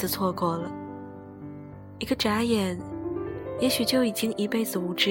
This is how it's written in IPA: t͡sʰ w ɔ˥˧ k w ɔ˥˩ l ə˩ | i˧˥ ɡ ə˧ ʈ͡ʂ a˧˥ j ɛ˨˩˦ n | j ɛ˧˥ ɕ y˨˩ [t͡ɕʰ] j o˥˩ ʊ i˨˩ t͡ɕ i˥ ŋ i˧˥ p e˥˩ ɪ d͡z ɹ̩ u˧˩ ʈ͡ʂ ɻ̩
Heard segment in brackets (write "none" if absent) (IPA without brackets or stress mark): t͡ɕ